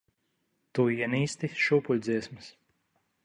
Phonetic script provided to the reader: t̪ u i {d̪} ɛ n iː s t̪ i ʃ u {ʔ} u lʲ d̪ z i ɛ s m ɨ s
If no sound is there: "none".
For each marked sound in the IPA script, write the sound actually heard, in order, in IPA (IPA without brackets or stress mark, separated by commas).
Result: none, p